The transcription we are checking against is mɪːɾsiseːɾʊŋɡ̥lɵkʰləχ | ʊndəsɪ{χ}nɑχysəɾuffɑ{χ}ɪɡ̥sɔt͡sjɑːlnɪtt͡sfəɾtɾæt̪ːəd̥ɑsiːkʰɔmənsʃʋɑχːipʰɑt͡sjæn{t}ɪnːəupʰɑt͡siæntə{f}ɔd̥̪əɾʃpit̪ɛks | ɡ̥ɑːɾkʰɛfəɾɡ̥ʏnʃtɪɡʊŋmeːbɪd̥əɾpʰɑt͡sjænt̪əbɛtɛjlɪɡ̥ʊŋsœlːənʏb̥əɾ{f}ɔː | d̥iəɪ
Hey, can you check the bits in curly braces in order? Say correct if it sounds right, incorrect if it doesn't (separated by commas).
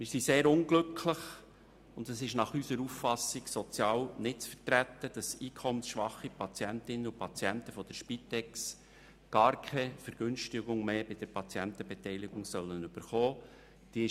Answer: incorrect, incorrect, correct, correct, incorrect